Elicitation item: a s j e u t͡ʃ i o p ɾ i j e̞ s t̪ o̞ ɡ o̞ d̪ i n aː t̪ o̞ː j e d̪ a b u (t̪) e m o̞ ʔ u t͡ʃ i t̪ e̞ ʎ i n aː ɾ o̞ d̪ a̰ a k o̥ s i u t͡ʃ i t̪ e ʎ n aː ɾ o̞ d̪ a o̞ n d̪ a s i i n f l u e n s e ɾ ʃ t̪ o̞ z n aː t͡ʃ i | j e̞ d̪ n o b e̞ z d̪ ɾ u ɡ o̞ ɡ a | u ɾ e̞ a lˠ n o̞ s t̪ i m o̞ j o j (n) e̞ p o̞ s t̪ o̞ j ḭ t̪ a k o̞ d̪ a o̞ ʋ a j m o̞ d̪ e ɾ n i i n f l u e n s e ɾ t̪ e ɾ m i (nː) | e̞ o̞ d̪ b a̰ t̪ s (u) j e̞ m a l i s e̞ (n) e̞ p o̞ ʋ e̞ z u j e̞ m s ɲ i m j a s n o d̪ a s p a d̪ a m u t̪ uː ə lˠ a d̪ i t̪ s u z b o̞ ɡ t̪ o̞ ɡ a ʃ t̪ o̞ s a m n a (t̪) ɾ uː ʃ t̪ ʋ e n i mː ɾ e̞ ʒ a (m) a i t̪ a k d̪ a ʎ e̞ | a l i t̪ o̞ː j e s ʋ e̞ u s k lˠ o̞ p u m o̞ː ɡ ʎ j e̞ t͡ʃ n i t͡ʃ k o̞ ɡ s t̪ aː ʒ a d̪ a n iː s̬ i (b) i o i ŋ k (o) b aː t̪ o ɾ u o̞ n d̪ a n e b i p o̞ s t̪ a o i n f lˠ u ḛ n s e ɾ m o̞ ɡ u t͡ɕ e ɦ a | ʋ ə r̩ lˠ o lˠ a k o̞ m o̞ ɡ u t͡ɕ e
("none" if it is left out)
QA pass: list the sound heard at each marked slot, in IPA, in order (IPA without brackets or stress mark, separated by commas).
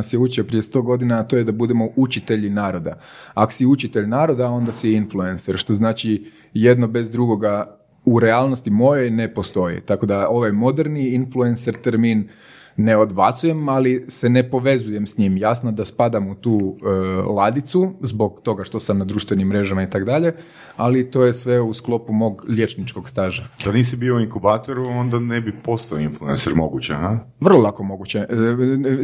d̪, n, nː, u, n, d̪, m, b, u